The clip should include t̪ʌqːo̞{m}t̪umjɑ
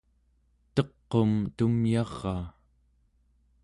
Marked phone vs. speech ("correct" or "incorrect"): correct